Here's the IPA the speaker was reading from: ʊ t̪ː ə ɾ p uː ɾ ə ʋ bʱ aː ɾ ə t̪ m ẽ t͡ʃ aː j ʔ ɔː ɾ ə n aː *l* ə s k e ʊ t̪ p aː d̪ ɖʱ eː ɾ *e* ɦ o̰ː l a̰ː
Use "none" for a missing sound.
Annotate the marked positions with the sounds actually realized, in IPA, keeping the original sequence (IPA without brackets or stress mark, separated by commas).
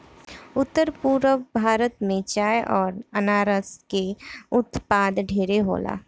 ɾ, e